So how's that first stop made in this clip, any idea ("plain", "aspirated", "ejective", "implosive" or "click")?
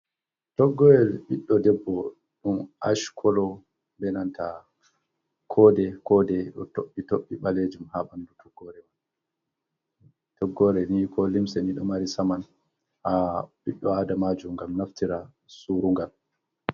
plain